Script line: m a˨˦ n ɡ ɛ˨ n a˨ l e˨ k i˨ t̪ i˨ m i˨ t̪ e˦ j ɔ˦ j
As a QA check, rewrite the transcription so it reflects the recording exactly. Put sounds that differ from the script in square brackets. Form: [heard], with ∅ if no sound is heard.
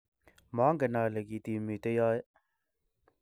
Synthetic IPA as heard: m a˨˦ [ŋ] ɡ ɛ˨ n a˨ l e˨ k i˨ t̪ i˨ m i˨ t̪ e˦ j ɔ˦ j